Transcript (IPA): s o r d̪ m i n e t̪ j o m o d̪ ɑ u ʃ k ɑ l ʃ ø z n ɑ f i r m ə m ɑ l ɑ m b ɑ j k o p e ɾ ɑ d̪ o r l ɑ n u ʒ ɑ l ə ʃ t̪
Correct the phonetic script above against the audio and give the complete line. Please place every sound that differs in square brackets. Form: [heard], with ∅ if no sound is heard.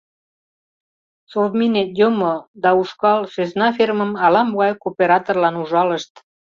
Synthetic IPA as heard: s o r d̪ m i n e t̪ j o m o d̪ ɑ u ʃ k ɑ l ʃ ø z n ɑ f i r m ə m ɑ l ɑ m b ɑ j k o p e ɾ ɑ [t̪] o r l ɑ n u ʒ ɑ l ə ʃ t̪